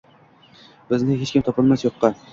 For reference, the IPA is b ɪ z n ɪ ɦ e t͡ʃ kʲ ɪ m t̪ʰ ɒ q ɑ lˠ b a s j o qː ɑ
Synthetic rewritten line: b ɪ z n ɪ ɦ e t͡ʃ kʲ ɪ m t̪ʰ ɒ p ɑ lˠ m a s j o qː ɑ